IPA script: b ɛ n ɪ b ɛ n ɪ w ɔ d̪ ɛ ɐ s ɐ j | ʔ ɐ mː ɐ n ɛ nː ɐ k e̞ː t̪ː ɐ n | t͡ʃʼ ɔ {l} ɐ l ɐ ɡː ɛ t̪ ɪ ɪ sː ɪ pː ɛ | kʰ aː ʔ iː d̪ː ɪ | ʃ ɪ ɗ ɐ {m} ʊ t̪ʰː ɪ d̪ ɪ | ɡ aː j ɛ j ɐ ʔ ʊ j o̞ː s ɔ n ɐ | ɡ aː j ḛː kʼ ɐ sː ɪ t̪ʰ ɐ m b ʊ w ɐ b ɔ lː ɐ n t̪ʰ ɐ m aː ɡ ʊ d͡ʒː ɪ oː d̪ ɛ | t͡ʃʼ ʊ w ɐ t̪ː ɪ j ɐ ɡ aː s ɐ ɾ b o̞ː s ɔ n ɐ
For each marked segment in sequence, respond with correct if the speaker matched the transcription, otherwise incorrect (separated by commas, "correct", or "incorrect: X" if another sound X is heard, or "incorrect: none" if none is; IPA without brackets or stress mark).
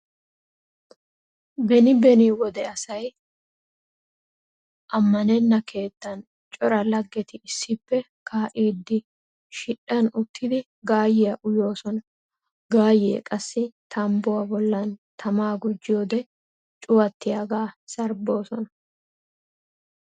incorrect: ɾ, incorrect: n